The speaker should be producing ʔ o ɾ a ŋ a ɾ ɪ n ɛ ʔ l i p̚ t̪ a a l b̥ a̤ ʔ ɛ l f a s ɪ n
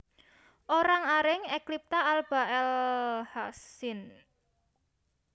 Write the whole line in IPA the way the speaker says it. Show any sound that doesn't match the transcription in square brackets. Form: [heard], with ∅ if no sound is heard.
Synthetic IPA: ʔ o ɾ a ŋ a ɾ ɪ [ŋ] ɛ [k] l i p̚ t̪ a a l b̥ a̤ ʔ ɛ l [h] a s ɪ n